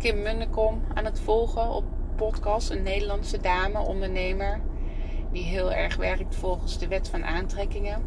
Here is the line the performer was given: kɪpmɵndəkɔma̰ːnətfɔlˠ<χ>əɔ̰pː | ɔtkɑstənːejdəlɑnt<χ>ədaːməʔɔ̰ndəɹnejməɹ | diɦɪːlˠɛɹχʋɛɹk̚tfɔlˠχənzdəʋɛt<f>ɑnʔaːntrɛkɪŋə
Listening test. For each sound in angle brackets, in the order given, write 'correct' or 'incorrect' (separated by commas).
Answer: correct, incorrect, correct